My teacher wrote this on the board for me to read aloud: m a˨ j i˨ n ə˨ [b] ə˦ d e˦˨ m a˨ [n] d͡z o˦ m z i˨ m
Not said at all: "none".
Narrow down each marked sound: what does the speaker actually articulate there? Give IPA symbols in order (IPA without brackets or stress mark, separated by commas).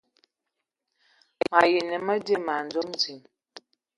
m, n